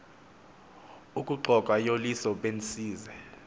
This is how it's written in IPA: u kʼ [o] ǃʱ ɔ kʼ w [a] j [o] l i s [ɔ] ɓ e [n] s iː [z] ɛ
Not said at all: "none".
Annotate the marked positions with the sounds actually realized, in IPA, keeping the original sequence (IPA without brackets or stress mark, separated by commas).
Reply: u, a, o, ɔ, n, z